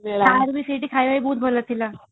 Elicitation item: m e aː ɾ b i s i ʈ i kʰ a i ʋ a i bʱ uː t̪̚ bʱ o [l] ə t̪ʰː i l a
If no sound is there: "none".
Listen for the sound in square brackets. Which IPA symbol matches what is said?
l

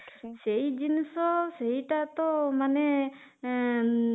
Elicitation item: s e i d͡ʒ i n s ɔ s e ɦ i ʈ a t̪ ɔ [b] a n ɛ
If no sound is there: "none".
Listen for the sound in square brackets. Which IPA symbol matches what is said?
m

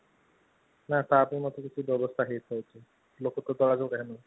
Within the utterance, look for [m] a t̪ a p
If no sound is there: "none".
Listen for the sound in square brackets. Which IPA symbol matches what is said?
n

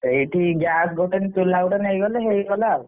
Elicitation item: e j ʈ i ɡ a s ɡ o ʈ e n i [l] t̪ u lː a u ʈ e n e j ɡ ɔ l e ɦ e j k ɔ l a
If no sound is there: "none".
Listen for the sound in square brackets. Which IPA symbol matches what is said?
none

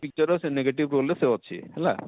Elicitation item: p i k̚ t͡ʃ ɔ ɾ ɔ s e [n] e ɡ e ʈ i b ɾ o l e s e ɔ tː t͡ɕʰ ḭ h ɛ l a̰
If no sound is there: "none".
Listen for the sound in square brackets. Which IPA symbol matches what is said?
n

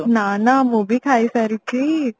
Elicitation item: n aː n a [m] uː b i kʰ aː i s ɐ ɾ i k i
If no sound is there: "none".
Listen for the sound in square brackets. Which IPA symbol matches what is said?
m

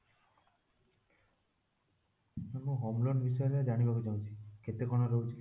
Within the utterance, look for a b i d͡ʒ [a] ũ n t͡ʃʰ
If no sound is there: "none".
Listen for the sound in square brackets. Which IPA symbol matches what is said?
a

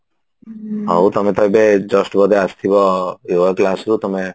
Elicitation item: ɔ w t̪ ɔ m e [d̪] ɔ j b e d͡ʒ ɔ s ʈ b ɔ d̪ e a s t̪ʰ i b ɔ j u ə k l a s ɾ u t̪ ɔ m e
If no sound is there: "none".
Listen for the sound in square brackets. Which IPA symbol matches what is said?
t̪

